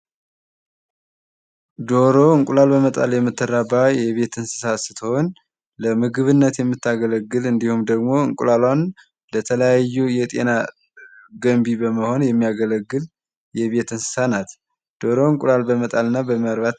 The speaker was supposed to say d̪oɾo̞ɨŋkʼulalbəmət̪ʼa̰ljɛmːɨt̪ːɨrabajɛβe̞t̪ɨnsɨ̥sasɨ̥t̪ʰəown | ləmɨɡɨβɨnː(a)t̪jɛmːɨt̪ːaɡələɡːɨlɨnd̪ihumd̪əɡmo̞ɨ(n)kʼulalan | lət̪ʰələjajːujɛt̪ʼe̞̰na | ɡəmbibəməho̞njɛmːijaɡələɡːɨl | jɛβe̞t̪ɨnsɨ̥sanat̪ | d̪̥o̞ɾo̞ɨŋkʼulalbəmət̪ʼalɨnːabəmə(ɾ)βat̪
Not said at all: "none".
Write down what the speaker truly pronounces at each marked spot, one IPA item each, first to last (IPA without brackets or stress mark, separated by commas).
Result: ə, ŋ, ɾ